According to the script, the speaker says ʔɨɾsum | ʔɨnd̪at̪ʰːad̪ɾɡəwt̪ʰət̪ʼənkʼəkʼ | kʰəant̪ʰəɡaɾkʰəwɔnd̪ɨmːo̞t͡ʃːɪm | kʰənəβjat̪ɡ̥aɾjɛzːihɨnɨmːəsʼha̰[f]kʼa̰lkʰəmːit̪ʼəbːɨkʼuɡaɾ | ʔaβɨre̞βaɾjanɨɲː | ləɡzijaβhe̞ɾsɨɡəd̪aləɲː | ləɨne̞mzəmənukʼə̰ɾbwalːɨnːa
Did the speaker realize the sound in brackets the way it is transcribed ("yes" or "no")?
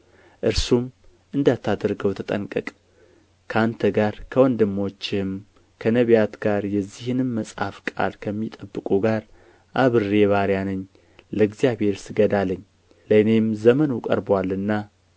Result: yes